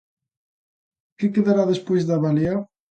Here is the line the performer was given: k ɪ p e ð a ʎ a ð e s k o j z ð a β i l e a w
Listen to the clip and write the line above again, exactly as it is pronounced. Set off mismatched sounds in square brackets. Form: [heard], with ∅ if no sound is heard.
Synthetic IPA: k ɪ [k] e ð a [ɾ] a ð e s [p] o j z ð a β [a] l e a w

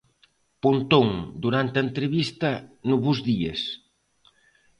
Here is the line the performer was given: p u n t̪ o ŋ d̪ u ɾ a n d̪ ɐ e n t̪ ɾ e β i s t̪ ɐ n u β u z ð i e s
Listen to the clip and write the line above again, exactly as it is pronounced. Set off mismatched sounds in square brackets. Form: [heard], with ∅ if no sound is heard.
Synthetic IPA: p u n t̪ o ŋ d̪ u ɾ a n [t̪] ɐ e n t̪ ɾ e β i s t̪ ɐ n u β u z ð i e s

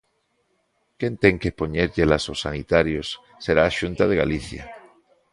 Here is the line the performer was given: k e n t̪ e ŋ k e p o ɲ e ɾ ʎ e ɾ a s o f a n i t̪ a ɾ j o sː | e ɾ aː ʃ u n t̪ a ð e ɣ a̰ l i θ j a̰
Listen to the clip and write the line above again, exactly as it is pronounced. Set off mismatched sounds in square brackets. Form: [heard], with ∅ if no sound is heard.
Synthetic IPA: k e n t̪ e ŋ k e p o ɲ e ɾ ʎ e [l] a s o [s] a n i t̪ a ɾ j o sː | e ɾ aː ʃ u n t̪ a ð e ɣ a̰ l i θ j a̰

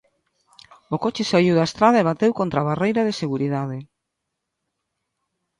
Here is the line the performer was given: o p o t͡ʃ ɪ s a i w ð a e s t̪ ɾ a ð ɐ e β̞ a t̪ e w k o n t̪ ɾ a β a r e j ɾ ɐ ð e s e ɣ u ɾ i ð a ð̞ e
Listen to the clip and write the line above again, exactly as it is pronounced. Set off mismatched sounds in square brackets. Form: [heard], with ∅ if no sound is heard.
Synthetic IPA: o [k] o t͡ʃ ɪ s a i w ð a e s t̪ ɾ a ð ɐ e β̞ a t̪ e w k o n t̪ ɾ a β a r e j ɾ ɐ ð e s e ɣ u ɾ i ð a ð̞ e

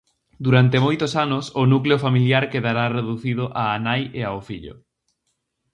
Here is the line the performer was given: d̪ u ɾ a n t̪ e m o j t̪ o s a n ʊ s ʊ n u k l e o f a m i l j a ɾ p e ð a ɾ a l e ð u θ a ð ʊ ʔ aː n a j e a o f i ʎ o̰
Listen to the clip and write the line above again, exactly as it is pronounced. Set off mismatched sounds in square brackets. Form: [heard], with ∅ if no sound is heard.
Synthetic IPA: d̪ u ɾ a n t̪ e m o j t̪ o s a n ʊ s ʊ n u k l e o f a m i l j a ɾ [k] e ð a ɾ a [r] e ð u θ [i] ð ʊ ʔ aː n a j e a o f i ʎ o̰

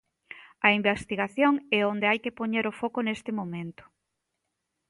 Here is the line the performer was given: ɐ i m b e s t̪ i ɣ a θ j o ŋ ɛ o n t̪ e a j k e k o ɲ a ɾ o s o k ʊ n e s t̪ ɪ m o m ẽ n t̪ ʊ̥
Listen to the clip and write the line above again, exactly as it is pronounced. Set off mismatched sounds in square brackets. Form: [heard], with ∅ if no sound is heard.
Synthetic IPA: ɐ i m b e s t̪ i ɣ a θ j o ŋ ɛ o n [d̪] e a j k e [p] o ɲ [e] ɾ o [f] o k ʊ n e s t̪ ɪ m o m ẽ n t̪ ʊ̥

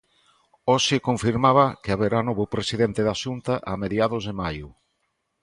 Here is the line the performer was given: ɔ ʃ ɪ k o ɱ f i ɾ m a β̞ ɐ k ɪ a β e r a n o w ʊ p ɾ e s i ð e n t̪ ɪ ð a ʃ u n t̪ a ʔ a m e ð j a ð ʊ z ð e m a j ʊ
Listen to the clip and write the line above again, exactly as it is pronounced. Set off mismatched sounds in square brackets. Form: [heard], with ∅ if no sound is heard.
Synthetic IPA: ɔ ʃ ɪ k o ɱ f i ɾ m a β̞ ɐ k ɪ a β e [ɾ] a n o [β] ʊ p ɾ e s i ð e n t̪ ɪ ð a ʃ u n t̪ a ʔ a m e ð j a ð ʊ z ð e m a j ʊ

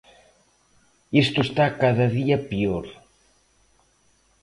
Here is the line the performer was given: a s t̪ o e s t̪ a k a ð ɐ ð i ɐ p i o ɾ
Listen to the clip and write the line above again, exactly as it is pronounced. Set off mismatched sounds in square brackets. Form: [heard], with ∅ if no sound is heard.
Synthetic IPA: [i] s t̪ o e s t̪ a k a ð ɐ ð i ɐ p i o ɾ

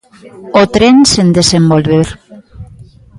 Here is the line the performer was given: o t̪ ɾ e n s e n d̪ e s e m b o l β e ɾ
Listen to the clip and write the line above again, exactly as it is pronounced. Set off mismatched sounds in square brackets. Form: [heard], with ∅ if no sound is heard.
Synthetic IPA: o t̪ ɾ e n s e n d̪ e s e m b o l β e ɾ

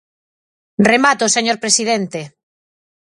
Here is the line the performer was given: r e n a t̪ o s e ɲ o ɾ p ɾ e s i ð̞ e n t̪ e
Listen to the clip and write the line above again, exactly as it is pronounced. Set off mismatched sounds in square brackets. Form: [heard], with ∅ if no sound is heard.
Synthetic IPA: r e [m] a t̪ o s e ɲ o ɾ p ɾ e s i ð̞ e n t̪ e

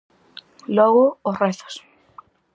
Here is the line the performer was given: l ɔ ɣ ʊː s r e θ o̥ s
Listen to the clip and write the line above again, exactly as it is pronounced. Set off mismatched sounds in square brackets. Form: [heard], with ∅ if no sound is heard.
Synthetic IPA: l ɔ ɣ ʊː s r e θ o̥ s

